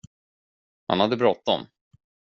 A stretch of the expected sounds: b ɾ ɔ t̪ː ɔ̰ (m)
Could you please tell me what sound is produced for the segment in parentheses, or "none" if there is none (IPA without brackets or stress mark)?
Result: m